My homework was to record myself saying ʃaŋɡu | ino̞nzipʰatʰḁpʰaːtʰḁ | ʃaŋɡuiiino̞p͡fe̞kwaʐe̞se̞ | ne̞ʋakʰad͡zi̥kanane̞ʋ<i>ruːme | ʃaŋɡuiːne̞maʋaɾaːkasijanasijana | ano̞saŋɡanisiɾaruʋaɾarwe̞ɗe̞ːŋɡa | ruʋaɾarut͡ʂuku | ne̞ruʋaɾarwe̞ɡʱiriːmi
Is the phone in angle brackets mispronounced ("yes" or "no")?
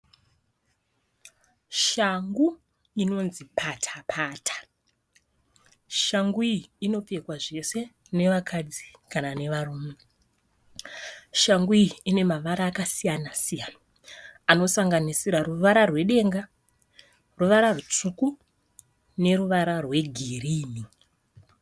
yes